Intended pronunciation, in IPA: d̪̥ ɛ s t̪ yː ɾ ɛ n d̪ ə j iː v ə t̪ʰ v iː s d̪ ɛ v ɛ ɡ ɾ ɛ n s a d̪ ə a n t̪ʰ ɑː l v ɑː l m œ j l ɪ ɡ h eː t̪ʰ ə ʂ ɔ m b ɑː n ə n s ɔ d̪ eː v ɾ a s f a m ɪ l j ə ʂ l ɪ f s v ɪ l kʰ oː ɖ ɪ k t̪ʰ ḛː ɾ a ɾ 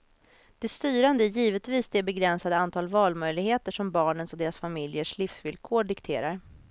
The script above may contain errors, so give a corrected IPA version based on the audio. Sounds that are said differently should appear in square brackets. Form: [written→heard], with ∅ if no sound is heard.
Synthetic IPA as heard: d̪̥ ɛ s t̪ yː ɾ [ɛ→a] n d̪ ə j iː v ə [t̪ʰ→t̪] v iː s d̪ ɛ [v→b] ɛ ɡ ɾ ɛ n s a d̪ ə a n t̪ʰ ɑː l v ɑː l m œ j l ɪ ɡ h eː [t̪ʰ→t̪] ə ʂ ɔ m b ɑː [n→ɳ] ə n s ɔ d̪ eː [v→∅] ɾ a s f a m ɪ l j ə ʂ l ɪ f s v ɪ l kʰ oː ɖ ɪ k t̪ʰ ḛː ɾ a ɾ